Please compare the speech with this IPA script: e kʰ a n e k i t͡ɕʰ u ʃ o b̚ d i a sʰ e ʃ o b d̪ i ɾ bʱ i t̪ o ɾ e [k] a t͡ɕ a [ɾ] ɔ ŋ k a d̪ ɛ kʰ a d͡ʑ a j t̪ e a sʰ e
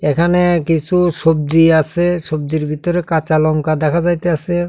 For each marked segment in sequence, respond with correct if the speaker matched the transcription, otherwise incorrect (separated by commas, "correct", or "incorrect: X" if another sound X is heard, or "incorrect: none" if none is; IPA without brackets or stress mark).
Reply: correct, incorrect: l